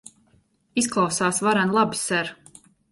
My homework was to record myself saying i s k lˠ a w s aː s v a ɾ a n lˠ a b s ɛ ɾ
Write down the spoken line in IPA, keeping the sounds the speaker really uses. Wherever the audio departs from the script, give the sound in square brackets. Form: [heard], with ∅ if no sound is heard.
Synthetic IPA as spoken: i s k lˠ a w s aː s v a ɾ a n lˠ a b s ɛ ɾ